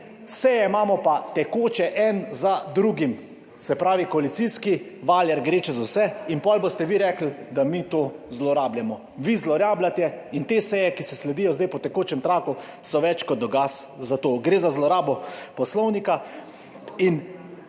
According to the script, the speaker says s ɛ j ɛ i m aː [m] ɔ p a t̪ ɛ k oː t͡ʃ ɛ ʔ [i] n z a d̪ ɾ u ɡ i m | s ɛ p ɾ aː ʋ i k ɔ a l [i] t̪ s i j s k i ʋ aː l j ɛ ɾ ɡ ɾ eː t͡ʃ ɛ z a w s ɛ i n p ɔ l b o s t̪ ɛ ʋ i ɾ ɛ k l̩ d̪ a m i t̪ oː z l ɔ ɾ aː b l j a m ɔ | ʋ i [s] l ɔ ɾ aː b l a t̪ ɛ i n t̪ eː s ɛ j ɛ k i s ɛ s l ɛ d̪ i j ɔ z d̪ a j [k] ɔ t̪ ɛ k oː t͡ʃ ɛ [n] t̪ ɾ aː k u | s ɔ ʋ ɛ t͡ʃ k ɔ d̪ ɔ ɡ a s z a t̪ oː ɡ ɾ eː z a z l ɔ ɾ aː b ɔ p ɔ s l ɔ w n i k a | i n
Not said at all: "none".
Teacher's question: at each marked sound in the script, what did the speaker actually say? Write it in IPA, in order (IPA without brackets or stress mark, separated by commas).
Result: m, ɛ, i, z, p, m